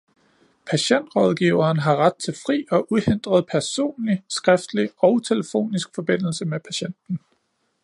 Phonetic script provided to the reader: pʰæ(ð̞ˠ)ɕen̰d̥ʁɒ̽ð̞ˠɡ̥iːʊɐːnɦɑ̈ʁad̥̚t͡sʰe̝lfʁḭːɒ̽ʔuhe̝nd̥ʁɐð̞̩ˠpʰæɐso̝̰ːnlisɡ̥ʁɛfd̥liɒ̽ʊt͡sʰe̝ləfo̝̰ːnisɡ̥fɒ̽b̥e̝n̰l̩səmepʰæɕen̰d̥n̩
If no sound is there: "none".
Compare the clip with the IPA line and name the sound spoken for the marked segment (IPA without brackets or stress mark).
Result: none